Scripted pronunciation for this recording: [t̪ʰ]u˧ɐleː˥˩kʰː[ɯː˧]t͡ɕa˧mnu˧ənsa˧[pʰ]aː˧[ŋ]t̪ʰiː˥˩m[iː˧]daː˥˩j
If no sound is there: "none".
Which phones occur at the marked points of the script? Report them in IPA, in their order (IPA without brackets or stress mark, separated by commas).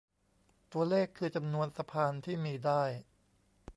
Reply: t̪, ɯː˧, pʰ, n, iː˧